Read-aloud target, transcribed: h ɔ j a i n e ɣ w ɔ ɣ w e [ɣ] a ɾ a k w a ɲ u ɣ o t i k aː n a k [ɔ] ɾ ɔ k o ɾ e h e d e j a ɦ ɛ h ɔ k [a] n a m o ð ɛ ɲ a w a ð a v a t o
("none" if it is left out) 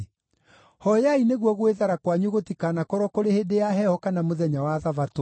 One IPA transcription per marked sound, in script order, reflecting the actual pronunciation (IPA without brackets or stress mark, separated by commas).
ð, ɔ, a